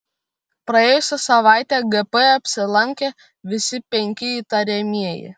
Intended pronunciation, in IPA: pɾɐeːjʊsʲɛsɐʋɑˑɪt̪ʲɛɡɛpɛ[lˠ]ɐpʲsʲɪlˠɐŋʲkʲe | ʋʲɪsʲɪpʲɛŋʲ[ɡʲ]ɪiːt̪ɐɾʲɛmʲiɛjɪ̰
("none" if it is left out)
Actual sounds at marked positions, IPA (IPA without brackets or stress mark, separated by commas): none, kʲ